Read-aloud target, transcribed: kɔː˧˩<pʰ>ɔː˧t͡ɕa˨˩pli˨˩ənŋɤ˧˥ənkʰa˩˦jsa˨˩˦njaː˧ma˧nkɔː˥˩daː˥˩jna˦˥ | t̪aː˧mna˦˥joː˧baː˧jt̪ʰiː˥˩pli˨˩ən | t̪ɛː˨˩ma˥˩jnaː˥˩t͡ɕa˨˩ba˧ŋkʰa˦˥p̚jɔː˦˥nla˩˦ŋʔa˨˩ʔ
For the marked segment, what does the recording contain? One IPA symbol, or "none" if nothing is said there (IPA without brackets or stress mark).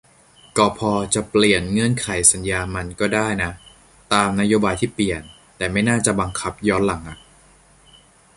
pʰ